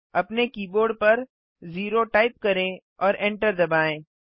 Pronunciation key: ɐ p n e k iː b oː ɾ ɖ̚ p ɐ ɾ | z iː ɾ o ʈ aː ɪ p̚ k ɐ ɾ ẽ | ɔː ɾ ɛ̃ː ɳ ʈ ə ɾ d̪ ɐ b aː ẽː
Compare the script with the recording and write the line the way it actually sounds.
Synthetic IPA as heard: ɐ p n e k iː b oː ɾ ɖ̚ p ɐ ɾ | z iː ɾ o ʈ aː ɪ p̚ k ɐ ɾ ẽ | ɔː ɾ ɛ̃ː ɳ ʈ ə ɾ d̪ ɐ b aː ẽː